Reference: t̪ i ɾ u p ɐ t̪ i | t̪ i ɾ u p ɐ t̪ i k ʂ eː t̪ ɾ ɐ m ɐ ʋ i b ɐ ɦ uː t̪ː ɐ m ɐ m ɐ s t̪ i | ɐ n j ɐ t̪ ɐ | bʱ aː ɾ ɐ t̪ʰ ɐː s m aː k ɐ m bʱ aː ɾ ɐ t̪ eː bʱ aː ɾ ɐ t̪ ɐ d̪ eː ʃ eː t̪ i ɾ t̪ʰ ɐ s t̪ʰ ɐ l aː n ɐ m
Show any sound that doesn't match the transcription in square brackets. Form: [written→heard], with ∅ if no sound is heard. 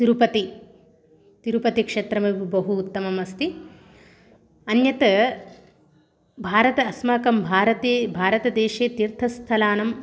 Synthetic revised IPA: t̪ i ɾ u p ɐ t̪ i | t̪ i ɾ u p ɐ t̪ i k ʂ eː t̪ ɾ ɐ m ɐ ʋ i b ɐ ɦ uː t̪ː ɐ m ɐ m ɐ s t̪ i | ɐ n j ɐ t̪ ɐ | bʱ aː ɾ ɐ [t̪ʰ→t̪] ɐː s m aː k ɐ m bʱ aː ɾ ɐ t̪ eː bʱ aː ɾ ɐ t̪ ɐ d̪ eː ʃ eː t̪ i ɾ t̪ʰ ɐ s t̪ʰ ɐ l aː n ɐ m